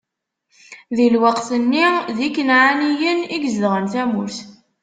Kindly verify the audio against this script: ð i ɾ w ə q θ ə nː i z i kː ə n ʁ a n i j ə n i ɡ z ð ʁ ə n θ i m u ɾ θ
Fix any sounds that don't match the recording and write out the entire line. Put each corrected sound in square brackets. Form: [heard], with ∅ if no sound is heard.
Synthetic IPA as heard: ð i [l] w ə q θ ə nː i [ð] i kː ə n [ʕ] a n i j ə n i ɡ z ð ʁ ə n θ [æ] m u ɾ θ